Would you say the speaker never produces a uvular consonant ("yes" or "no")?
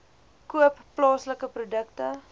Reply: yes